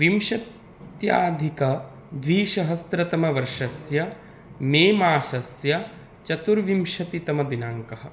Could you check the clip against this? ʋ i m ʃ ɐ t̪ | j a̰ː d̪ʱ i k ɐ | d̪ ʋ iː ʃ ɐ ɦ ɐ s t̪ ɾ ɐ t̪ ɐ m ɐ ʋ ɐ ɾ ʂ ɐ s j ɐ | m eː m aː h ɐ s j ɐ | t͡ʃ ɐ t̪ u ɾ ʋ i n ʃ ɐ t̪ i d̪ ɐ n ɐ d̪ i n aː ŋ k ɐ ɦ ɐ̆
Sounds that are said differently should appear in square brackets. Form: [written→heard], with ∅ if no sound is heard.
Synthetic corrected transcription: ʋ i m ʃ ɐ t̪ | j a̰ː d̪ʱ i k ɐ | d̪ ʋ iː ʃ ɐ ɦ ɐ s t̪ ɾ ɐ t̪ ɐ m ɐ ʋ ɐ ɾ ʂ ɐ s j ɐ | m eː m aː [h→ʃ] ɐ s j ɐ | t͡ʃ ɐ t̪ u ɾ ʋ i [n→m] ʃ ɐ t̪ i [d̪→t̪] ɐ [n→m] ɐ d̪ i n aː ŋ k ɐ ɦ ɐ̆